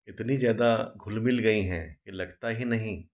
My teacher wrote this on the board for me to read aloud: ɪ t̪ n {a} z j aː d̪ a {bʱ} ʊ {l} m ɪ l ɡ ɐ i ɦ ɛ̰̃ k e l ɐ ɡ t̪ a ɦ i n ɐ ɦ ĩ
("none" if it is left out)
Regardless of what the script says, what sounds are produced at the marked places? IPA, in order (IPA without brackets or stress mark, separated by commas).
i, ɡʱ, l